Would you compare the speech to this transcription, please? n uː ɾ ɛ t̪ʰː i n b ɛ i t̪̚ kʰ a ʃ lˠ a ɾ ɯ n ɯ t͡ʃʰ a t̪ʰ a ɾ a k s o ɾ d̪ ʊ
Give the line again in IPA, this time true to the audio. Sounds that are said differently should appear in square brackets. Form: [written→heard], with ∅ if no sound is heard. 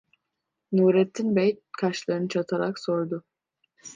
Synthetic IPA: n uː ɾ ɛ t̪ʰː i n b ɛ [i→j] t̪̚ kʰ a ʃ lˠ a ɾ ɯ n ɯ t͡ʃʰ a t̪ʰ a ɾ a k s o ɾ d̪ ʊ